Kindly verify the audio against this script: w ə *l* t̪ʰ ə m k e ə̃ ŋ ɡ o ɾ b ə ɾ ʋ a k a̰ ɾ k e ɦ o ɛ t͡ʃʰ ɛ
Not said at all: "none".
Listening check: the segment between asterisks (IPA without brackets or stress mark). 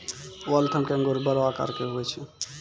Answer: l